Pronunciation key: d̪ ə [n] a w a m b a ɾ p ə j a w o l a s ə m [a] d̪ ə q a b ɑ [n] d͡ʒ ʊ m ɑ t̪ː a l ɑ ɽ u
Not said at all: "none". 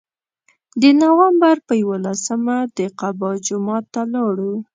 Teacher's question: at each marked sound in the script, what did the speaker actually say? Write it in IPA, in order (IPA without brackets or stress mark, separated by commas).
n, a, none